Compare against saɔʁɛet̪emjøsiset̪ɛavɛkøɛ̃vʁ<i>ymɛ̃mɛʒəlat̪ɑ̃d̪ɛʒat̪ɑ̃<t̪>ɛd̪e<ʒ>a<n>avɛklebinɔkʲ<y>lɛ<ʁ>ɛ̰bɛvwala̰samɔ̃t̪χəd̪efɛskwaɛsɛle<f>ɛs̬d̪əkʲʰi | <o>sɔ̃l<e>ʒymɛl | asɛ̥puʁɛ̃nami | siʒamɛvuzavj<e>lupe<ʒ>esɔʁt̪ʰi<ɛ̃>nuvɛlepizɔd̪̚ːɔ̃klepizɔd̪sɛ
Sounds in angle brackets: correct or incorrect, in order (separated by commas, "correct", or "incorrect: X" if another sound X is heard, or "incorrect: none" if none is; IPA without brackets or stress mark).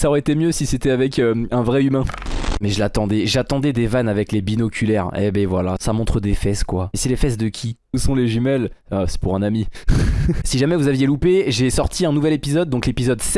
incorrect: ɛ, incorrect: d̪, incorrect: v, correct, correct, correct, correct, incorrect: u, correct, correct, correct, correct